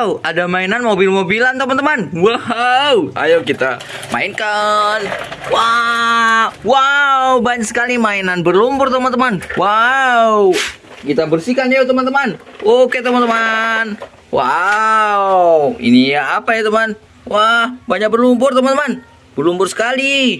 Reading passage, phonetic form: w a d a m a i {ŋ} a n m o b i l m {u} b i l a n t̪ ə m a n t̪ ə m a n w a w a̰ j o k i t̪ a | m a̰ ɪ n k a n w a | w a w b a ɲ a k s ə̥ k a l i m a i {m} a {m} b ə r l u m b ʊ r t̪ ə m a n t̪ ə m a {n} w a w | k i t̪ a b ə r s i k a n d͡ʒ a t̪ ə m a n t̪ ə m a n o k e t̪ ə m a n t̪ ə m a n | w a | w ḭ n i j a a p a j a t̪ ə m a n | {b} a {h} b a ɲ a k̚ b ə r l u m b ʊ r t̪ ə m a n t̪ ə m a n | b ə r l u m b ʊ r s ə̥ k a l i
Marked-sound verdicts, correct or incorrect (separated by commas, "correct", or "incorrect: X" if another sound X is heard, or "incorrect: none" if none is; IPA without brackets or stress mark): incorrect: n, incorrect: o, incorrect: n, incorrect: n, correct, incorrect: w, correct